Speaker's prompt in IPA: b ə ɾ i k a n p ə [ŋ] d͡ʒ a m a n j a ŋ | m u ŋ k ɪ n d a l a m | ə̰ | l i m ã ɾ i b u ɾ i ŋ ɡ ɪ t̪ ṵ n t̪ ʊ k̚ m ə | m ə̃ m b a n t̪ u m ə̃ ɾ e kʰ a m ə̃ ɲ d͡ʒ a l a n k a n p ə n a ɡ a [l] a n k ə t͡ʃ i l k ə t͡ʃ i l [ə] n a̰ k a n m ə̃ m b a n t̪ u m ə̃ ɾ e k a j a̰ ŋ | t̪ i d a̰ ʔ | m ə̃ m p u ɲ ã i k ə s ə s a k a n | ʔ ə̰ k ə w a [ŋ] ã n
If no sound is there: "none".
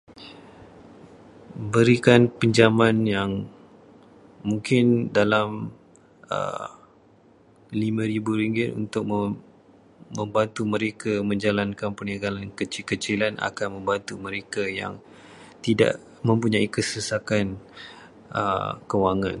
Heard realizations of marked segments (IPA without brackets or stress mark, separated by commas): ɲ, l, a, ŋ